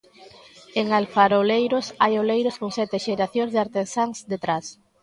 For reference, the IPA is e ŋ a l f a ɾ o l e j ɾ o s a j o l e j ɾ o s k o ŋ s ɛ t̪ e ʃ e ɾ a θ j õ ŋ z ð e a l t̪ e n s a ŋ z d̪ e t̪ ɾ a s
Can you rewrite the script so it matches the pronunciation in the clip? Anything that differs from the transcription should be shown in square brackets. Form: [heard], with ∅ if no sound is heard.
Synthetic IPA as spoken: e ŋ a l f a ɾ o l e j ɾ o s a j o l e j ɾ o s k o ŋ s ɛ t̪ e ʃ e ɾ a θ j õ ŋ z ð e a [ɾ] t̪ e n s a ŋ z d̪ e t̪ ɾ a s